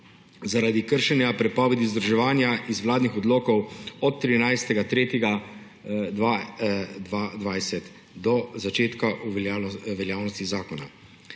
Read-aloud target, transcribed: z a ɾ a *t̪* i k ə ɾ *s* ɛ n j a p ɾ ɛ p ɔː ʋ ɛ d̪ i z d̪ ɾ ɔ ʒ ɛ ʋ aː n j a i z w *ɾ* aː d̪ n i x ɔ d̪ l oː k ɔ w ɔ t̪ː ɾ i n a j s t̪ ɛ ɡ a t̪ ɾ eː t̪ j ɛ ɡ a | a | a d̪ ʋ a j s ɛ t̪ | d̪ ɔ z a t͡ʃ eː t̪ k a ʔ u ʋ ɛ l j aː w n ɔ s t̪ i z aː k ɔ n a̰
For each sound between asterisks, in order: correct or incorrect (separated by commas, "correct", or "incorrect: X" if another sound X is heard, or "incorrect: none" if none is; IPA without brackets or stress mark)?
incorrect: d̪, incorrect: ʃ, incorrect: l